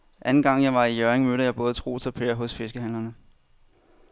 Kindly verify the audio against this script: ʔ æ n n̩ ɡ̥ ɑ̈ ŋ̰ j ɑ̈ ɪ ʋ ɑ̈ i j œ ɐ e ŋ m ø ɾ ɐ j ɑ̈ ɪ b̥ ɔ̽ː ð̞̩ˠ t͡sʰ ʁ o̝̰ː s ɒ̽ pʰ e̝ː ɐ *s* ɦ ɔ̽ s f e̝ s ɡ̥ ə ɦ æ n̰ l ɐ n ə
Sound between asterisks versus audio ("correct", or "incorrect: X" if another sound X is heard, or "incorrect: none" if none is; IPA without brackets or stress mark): incorrect: none